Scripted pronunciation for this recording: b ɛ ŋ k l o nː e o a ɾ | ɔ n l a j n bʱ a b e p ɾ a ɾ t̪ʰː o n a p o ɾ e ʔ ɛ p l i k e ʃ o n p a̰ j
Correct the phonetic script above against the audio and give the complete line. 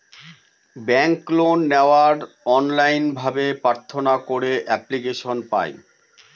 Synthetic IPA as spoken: b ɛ ŋ k l o nː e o a ɾ | ɔ n l a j n bʱ a b e p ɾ a ɾ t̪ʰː o n a k o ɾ e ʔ ɛ p l i k e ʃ o n p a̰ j